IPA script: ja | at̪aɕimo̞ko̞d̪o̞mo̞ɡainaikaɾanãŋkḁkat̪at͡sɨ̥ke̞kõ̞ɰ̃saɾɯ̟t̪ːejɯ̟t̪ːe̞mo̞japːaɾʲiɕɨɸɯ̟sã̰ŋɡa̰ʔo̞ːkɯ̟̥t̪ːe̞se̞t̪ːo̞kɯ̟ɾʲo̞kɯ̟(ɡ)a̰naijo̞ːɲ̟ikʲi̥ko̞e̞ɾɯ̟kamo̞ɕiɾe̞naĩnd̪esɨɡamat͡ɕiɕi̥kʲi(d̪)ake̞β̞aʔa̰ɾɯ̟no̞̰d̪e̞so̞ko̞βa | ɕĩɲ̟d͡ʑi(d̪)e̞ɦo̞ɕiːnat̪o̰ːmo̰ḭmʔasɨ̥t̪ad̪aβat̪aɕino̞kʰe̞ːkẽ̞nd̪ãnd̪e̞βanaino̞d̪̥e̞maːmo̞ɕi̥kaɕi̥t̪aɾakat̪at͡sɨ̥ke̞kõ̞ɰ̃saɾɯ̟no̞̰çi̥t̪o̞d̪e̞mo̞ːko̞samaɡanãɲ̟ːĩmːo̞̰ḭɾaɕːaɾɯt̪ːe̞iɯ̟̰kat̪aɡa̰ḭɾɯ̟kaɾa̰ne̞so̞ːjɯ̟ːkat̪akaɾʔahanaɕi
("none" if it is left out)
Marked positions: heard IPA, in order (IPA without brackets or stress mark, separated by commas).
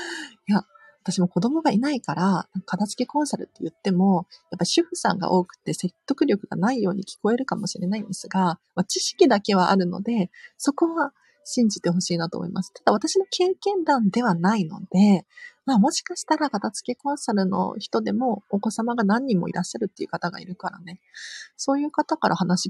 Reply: ɡ, d̪, t̪